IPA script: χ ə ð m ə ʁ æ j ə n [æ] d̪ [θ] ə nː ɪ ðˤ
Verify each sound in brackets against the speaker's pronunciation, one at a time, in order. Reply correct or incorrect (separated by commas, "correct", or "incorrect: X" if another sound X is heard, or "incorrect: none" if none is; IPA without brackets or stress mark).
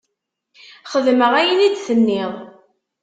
incorrect: i, correct